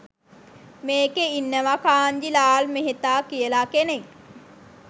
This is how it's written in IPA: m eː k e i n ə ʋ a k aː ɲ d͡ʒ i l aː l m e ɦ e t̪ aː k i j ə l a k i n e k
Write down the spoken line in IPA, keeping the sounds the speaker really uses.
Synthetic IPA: m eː k e i nː ə ʋ a k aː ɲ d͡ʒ i l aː l m e ɦ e t̪ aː k i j ə l a k e n e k